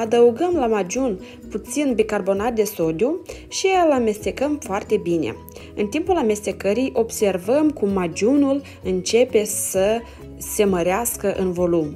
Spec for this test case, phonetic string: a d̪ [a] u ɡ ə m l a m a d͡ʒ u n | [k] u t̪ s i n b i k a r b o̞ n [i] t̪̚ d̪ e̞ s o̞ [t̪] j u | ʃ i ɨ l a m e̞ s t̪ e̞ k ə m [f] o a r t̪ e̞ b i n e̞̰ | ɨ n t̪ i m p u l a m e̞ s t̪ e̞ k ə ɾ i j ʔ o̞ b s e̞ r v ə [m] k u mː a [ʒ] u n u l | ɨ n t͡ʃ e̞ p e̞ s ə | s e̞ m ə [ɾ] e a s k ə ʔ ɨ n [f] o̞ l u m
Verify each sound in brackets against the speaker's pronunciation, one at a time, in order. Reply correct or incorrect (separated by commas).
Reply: incorrect, incorrect, incorrect, incorrect, correct, correct, incorrect, correct, incorrect